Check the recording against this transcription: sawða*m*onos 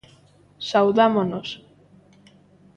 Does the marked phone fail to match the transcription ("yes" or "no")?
no